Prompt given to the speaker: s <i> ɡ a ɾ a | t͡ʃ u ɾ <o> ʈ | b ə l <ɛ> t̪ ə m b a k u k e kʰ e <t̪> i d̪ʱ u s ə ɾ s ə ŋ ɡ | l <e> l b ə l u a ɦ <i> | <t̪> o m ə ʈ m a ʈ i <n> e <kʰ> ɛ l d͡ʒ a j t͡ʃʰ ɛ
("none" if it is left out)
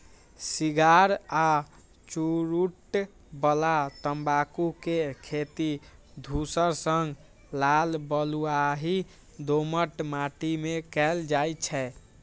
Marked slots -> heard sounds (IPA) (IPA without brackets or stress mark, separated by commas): i, u, a, t̪, a, i, d̪, m, k